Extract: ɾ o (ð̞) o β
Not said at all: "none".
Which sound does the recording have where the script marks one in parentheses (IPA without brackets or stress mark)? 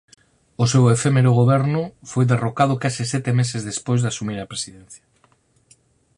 ɣ̞